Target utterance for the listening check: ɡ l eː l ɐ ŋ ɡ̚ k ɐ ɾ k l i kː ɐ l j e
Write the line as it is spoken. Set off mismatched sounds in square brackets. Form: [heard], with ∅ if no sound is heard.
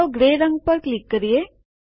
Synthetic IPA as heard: ɡ [ɾ] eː [ɾ] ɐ ŋ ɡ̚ [p] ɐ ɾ k l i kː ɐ [ɾ] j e